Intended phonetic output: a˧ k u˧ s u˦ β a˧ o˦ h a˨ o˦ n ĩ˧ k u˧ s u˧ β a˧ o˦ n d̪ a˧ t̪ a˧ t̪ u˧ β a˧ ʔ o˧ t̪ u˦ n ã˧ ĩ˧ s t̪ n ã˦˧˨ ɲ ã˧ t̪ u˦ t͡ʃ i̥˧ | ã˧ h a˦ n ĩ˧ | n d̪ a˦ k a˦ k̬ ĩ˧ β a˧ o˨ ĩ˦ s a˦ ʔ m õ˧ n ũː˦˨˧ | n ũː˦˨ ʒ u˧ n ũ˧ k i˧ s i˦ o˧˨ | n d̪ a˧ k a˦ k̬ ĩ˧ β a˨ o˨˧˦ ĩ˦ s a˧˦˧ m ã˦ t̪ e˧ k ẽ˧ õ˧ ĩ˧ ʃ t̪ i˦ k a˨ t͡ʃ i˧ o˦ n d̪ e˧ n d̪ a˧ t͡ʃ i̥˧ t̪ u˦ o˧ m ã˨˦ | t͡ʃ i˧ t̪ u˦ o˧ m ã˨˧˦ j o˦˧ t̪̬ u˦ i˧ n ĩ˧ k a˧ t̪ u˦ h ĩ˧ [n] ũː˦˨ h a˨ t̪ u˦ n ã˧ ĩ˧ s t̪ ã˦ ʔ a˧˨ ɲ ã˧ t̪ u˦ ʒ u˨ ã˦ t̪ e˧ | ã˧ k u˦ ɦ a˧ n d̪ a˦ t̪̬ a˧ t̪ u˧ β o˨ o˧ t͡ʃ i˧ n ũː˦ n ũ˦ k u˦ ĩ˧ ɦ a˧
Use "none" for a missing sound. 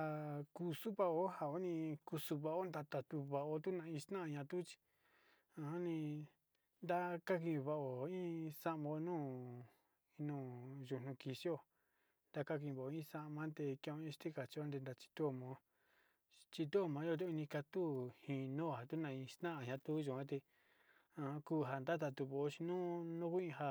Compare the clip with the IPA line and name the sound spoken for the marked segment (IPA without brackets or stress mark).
n